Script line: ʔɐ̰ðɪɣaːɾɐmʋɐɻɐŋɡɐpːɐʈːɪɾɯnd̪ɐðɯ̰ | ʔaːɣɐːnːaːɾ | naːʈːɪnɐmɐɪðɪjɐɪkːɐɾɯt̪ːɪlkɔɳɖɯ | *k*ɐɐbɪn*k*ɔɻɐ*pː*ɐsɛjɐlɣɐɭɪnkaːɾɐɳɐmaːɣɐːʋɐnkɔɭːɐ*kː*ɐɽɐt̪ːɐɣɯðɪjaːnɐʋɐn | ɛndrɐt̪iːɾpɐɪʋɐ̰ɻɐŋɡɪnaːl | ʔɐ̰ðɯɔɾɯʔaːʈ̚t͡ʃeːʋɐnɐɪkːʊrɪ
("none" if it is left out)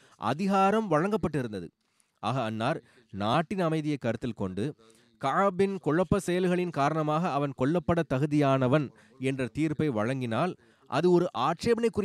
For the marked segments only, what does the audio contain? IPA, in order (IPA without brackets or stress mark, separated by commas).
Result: k, k, pː, pː